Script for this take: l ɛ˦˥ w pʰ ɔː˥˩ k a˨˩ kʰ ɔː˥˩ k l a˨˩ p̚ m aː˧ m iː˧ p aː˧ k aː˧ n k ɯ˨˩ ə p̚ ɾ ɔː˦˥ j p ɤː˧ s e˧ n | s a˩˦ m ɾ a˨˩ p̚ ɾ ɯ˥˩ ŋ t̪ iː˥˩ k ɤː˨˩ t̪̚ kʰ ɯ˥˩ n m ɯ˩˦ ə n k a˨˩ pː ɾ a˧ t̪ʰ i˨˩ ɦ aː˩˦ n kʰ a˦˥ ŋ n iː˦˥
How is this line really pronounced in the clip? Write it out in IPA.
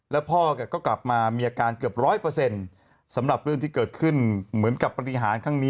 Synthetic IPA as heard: l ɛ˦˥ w pʰ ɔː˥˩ k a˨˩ k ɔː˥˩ k l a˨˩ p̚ m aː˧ m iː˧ ʔ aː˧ k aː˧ n k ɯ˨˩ ə p̚ ɾ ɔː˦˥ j p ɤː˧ s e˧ n | s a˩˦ m ɾ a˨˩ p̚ ɾ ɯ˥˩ ŋ t̪ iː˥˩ k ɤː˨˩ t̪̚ kʰ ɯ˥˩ n m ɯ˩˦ ə n k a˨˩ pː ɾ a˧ t̪ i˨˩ ɦ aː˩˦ n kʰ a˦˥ ŋ n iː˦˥